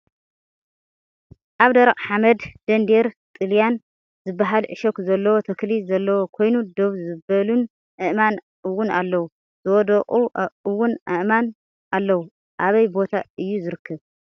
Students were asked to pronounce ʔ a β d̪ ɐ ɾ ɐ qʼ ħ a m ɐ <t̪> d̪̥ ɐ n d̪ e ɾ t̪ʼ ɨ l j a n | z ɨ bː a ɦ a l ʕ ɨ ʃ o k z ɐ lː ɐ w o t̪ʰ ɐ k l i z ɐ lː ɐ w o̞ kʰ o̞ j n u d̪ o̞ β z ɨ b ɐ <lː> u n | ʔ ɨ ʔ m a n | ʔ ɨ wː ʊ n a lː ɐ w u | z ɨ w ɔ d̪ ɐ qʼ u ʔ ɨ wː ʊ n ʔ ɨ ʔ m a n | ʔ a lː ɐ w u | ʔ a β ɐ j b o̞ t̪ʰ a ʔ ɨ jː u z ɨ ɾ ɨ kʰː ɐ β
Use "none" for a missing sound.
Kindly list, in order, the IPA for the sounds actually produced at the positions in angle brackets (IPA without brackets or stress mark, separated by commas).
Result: d̪, l